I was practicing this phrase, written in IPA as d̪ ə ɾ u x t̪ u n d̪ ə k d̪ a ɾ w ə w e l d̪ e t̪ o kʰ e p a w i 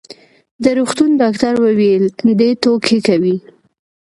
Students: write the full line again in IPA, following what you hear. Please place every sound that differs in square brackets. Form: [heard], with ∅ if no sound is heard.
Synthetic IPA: d̪ ə ɾ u x t̪ u n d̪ [ɑ] k [t̪] a ɾ w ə w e l d̪ e t̪ o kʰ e [k] a w i